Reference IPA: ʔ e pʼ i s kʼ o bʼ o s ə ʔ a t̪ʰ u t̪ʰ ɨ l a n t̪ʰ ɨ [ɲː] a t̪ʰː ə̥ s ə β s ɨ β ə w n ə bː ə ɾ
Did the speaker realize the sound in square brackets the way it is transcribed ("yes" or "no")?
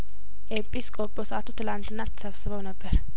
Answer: no